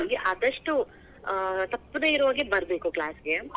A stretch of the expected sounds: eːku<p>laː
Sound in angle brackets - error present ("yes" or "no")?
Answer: yes